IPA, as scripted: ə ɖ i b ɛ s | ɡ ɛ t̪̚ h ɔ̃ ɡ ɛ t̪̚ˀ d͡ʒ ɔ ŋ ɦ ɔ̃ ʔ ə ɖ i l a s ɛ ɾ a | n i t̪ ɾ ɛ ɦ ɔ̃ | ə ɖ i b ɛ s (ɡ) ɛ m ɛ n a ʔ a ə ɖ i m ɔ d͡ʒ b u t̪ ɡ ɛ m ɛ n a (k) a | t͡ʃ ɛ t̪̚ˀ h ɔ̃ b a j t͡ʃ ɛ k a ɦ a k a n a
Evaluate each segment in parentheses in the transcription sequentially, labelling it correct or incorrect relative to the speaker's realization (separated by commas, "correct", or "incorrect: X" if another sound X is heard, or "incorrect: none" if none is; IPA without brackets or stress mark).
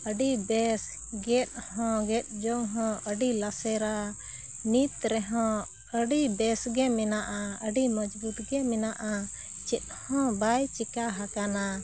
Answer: correct, incorrect: ʔ